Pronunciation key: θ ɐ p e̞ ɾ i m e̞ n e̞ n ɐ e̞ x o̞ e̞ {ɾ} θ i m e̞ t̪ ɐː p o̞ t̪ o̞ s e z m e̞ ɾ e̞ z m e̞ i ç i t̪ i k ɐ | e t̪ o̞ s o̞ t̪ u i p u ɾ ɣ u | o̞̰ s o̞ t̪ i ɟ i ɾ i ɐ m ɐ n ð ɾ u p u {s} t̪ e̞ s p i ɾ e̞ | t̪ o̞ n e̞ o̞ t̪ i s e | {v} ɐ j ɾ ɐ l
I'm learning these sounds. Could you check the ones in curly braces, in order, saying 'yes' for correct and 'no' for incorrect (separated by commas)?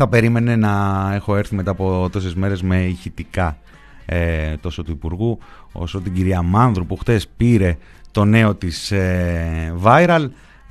yes, no, yes